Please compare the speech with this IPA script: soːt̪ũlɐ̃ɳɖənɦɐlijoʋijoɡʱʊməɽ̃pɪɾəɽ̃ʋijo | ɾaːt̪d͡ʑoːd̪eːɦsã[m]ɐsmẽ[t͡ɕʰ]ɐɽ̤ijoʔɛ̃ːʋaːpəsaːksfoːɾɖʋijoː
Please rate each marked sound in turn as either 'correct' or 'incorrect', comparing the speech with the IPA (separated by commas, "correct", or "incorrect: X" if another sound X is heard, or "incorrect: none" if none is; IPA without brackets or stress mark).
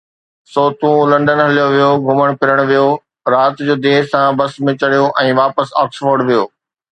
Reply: incorrect: b, incorrect: t͡ɕ